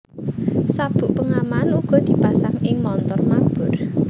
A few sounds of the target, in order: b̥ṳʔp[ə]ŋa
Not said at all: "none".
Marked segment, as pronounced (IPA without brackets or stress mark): ə